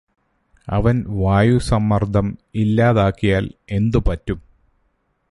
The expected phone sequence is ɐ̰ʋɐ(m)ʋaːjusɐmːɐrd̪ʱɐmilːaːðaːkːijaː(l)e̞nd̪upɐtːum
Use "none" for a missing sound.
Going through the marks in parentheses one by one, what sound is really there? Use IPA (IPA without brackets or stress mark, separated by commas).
n, l